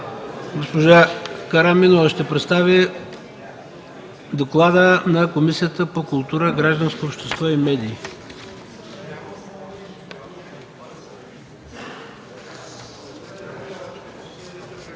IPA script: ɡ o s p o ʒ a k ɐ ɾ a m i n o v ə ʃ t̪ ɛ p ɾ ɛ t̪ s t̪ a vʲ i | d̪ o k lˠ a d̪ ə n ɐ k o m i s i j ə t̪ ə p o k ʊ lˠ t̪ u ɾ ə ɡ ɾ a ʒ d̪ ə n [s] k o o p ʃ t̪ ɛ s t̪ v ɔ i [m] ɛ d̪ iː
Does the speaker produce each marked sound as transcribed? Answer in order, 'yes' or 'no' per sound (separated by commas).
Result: yes, yes